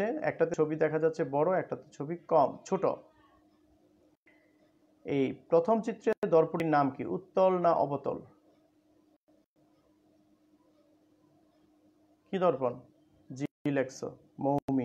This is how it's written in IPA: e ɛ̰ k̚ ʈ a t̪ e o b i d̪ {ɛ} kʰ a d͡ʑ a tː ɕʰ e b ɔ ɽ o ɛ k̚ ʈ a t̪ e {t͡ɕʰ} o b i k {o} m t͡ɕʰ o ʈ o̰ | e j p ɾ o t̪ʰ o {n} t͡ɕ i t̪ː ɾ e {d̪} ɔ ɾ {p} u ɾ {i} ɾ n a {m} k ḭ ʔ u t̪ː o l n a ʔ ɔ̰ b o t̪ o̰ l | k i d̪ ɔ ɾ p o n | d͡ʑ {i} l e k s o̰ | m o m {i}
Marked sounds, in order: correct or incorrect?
correct, correct, incorrect: ɔ, incorrect: m, correct, correct, correct, correct, correct, correct

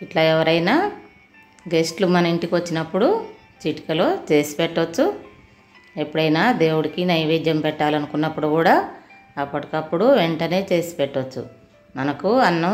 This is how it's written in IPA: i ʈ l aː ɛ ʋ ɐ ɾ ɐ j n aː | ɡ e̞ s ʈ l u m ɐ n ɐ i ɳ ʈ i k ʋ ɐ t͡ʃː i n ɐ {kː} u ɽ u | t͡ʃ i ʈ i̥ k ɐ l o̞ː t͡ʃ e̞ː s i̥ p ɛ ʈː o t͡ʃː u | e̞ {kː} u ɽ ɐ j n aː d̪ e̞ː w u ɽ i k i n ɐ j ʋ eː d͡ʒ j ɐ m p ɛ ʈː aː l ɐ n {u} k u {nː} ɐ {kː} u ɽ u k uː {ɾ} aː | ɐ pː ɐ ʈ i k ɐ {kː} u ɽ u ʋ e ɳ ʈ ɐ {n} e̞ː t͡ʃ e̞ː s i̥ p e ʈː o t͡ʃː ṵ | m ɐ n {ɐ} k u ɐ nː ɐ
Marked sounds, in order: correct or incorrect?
incorrect: pː, incorrect: pː, correct, correct, incorrect: pː, incorrect: ɽ, incorrect: pː, correct, correct

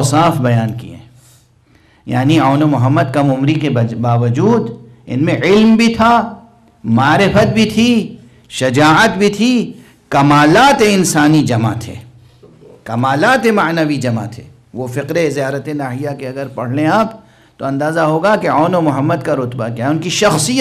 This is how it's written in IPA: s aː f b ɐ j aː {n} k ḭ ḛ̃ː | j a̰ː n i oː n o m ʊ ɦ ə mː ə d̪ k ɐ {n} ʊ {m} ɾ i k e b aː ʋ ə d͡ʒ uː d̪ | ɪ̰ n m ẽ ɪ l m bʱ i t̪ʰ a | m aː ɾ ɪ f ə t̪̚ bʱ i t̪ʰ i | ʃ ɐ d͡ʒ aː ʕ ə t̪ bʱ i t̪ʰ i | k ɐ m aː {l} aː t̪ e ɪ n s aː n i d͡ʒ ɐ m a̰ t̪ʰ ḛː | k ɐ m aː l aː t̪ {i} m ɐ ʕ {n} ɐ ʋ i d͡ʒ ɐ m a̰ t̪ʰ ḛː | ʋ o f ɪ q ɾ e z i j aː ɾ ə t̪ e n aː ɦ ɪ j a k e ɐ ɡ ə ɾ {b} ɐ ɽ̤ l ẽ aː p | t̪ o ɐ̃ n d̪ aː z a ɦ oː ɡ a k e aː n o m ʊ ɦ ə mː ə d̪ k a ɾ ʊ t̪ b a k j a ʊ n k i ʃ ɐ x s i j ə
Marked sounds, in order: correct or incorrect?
correct, incorrect: m, correct, correct, incorrect: e, correct, incorrect: p

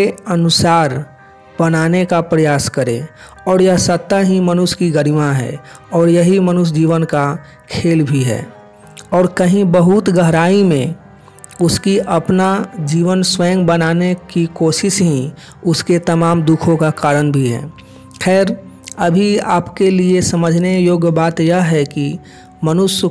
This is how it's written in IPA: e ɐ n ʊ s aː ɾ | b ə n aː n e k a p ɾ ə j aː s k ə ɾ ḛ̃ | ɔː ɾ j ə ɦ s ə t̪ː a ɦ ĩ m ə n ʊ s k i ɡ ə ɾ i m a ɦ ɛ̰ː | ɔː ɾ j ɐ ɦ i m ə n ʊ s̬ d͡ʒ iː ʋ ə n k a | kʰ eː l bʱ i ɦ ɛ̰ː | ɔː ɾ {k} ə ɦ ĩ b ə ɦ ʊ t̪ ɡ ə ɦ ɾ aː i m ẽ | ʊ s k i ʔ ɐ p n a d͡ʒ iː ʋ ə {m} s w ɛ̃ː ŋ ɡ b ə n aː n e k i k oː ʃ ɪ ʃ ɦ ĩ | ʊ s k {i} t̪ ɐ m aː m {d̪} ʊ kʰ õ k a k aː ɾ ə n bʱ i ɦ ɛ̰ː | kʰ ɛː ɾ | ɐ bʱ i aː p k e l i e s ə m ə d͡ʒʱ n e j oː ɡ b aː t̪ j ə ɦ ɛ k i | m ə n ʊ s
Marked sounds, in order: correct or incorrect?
correct, incorrect: n, incorrect: e, correct

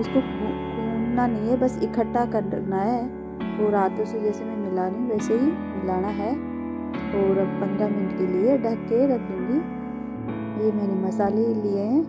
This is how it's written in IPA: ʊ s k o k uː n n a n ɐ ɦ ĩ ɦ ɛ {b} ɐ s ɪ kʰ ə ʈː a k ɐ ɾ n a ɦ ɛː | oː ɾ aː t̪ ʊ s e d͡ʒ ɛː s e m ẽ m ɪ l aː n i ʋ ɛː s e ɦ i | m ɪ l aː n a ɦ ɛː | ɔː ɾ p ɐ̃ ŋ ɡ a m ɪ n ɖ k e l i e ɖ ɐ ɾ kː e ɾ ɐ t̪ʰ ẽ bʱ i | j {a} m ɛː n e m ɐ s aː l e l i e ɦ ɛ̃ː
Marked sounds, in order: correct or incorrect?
correct, incorrect: e

